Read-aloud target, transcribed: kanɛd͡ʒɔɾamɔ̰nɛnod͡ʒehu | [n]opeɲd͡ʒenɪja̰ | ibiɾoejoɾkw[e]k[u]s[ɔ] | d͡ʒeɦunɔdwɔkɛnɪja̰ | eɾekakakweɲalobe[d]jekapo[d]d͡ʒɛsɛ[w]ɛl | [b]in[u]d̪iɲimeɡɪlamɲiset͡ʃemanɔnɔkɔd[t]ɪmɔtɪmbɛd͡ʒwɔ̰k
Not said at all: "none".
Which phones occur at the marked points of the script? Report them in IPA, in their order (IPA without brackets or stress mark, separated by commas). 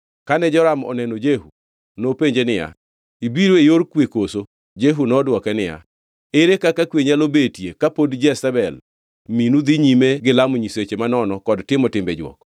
n, e, o, o, t, d, b, m, u, t